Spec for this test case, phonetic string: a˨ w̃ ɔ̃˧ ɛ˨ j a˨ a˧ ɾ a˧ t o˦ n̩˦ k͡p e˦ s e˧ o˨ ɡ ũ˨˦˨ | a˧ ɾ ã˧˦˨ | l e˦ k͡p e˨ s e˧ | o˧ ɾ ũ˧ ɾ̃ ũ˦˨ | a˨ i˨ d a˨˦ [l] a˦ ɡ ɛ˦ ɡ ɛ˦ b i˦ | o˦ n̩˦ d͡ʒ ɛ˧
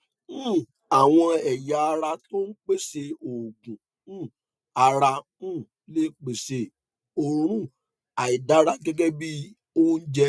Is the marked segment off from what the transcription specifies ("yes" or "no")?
yes